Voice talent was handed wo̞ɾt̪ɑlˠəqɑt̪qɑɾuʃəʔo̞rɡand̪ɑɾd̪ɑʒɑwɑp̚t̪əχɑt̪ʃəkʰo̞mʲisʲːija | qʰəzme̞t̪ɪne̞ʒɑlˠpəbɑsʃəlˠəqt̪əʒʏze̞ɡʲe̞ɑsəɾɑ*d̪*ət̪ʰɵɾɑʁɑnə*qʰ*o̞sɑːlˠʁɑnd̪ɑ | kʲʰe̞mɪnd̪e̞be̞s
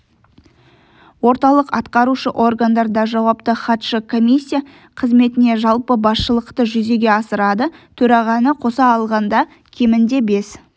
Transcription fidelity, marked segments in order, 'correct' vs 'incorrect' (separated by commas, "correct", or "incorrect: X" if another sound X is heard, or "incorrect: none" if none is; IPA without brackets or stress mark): correct, correct